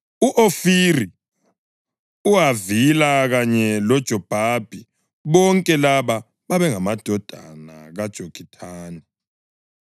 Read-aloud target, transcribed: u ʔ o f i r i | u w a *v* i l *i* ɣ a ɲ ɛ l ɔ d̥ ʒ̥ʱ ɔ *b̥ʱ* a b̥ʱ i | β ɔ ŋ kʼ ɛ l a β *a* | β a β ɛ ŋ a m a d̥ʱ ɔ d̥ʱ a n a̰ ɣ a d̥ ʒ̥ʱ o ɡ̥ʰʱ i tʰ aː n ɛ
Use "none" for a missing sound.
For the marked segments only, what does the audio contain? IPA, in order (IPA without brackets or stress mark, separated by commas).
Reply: v, a, b̥ʱ, a